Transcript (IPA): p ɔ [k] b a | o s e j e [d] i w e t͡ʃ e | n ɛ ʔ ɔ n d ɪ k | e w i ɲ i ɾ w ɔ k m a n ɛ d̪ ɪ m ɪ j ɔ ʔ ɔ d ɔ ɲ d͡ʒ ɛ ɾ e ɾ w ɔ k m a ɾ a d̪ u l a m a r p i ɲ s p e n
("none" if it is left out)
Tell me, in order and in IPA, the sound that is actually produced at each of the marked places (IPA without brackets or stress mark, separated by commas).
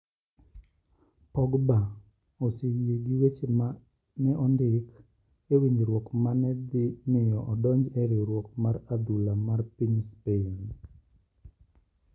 ɡ, ɡ